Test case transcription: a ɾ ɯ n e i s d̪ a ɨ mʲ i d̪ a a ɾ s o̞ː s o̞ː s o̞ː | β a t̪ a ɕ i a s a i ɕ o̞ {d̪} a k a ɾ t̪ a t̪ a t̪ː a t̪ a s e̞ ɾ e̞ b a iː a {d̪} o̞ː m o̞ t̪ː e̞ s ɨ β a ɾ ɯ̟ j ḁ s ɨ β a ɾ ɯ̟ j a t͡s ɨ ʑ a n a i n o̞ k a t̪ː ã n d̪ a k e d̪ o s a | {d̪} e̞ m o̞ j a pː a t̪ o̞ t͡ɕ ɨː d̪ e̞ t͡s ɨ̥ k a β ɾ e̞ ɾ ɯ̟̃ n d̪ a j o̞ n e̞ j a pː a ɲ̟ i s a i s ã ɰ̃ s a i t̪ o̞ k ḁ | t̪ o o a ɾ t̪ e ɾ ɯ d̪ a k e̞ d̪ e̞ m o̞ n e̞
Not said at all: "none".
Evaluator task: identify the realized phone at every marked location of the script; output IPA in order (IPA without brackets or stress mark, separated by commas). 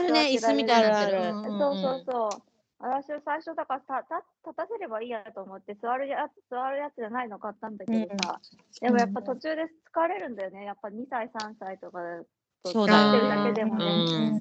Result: d̪, t̪, d̪